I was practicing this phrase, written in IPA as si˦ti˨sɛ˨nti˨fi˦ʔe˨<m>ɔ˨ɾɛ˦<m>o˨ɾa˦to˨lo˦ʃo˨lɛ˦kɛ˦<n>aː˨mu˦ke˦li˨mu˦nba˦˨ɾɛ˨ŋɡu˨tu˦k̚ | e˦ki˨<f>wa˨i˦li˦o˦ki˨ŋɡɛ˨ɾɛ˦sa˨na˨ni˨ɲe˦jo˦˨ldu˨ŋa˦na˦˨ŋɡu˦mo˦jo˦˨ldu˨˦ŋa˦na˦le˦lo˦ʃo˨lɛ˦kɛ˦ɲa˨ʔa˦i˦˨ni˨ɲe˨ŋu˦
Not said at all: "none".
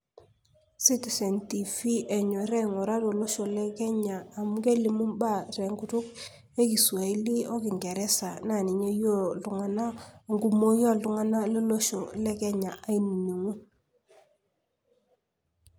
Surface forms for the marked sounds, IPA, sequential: ɲ, ŋ, ɲ, s

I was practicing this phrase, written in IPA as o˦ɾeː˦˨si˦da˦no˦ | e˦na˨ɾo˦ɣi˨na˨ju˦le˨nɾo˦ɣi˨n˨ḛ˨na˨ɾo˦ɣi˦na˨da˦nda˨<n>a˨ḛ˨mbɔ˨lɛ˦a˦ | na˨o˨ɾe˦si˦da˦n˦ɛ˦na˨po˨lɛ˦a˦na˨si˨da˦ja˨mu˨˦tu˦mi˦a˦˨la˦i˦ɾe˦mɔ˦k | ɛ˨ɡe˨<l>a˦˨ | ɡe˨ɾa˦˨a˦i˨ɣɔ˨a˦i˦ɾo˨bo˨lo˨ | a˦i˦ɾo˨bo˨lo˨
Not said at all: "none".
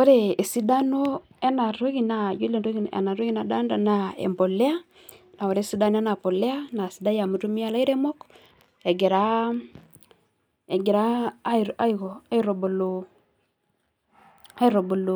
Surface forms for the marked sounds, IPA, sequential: n, ɾ

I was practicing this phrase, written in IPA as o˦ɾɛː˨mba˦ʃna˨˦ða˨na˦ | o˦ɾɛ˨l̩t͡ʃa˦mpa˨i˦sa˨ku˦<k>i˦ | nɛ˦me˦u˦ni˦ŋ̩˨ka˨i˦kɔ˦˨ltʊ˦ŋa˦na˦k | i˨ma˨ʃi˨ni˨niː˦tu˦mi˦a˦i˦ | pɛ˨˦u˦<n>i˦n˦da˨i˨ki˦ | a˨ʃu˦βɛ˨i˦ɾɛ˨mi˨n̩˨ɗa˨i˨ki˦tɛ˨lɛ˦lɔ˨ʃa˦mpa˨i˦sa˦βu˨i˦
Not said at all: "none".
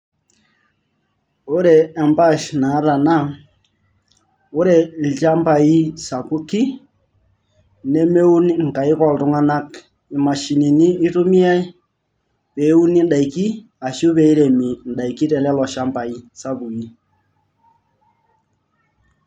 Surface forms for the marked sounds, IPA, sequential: k, n

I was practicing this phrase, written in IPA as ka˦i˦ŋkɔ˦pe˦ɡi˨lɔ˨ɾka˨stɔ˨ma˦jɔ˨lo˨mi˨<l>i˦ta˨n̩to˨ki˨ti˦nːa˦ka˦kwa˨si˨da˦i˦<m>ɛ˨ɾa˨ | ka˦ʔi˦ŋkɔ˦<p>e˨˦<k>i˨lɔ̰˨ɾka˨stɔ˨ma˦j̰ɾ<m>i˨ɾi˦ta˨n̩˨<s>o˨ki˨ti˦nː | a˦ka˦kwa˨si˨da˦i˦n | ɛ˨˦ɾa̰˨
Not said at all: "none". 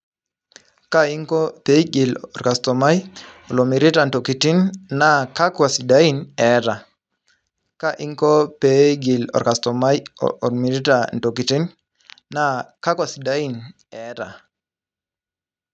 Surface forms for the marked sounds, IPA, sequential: ɾ, n, p, ɡ, m, t

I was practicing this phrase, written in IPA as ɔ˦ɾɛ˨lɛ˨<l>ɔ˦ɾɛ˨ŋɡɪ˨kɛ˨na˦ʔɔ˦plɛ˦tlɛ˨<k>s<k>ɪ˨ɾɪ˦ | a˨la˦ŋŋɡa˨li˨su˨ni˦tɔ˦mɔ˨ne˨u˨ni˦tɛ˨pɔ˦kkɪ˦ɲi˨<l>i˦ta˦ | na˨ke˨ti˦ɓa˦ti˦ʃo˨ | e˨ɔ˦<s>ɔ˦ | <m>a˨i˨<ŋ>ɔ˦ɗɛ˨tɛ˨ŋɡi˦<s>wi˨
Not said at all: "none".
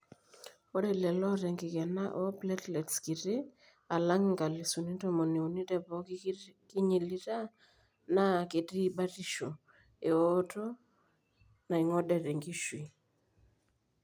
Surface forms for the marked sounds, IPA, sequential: l, t, k, l, t, n, ŋ, ʃ

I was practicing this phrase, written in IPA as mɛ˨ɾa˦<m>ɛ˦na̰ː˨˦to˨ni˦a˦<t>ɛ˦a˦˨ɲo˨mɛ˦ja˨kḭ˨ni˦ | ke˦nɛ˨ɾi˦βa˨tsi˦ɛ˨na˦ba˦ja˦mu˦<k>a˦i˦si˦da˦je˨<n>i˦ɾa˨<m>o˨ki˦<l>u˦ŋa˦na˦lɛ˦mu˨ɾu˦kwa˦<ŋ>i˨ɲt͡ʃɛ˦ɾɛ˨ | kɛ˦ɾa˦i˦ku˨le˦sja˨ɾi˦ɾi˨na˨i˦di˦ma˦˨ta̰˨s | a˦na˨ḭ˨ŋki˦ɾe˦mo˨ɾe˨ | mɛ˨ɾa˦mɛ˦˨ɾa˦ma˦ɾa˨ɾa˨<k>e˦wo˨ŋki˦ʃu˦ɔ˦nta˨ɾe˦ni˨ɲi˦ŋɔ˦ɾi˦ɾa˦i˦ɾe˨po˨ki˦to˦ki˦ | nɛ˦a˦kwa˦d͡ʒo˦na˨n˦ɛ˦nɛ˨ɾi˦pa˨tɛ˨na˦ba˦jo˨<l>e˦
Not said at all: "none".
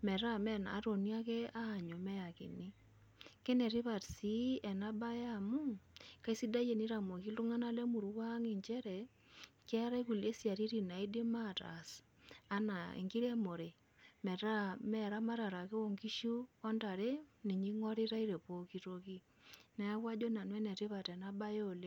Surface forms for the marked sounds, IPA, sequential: m, k, k, n, m, l, ŋ, k, l

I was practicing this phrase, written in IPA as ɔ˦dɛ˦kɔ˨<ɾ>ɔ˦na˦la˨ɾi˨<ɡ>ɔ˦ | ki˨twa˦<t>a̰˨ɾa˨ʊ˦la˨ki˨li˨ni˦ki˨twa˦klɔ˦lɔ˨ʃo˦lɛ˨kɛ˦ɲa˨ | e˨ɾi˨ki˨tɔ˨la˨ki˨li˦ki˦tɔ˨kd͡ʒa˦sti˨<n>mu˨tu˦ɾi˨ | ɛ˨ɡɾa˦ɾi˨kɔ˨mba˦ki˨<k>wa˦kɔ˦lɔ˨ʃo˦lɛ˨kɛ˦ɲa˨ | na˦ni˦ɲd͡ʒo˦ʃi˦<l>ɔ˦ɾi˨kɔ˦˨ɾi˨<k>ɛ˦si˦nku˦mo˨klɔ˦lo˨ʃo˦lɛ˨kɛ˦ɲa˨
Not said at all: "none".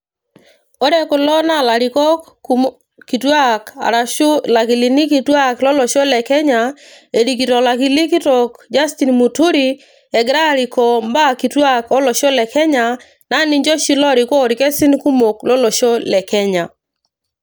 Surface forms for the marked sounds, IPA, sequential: l, k, k, n, t, l, k

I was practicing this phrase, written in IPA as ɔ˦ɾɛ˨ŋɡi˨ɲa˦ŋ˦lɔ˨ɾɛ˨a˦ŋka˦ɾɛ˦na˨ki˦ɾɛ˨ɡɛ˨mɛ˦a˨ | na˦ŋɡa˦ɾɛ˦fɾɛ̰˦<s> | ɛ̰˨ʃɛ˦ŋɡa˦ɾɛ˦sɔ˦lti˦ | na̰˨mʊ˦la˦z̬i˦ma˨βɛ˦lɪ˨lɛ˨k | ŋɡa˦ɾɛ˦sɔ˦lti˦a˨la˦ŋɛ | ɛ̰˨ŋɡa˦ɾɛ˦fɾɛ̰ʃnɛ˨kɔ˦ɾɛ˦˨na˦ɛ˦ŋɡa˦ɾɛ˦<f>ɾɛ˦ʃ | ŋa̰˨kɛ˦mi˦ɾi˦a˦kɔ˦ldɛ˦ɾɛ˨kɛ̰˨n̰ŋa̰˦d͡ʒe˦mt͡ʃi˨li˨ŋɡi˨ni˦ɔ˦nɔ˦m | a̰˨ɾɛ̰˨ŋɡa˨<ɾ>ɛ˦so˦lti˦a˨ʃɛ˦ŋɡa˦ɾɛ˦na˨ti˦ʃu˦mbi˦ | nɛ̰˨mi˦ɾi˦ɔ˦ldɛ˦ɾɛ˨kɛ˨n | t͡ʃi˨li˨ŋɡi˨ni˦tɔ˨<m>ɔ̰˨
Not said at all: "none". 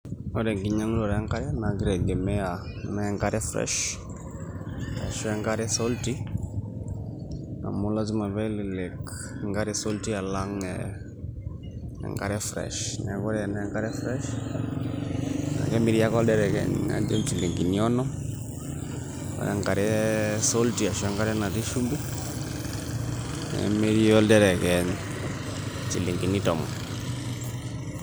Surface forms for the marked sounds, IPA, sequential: ʃ, f, ɾ, m

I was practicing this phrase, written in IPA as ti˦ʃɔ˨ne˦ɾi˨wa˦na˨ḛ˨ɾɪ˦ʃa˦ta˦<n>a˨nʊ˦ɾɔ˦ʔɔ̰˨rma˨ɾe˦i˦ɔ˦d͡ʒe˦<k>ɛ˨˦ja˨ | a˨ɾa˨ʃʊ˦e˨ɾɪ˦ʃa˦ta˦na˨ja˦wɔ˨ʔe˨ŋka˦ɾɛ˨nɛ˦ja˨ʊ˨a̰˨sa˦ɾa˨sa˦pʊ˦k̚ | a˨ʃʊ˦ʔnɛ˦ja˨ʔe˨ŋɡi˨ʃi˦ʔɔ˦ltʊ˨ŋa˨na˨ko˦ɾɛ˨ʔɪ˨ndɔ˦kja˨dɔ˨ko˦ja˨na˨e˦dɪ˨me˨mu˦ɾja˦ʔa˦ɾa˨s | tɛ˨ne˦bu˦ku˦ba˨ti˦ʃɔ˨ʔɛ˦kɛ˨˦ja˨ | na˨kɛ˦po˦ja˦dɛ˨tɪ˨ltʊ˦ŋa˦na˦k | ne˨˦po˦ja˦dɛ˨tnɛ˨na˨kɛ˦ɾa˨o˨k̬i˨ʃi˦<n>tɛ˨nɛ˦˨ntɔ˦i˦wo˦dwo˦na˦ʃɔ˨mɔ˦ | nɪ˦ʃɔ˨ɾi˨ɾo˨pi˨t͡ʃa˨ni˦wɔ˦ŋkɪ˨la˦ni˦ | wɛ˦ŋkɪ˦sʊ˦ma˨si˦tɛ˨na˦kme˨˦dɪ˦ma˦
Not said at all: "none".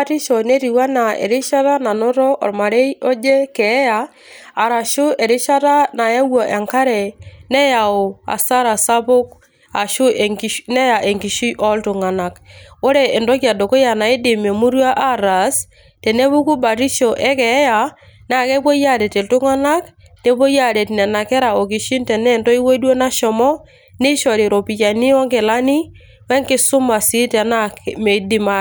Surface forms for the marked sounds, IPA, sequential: n, k, n

